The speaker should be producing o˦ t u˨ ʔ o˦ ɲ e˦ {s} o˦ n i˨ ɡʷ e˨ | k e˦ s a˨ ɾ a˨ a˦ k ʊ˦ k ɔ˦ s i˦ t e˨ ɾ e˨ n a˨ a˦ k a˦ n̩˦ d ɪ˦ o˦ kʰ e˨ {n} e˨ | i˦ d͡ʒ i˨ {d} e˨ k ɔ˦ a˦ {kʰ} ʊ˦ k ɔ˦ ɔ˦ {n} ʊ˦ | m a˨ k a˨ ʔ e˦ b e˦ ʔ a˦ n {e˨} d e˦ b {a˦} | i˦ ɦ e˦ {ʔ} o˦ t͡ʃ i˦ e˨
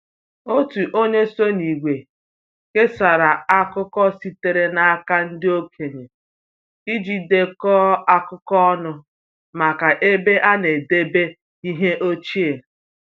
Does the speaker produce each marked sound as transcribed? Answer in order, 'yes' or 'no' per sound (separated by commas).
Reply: yes, no, yes, no, yes, yes, no, yes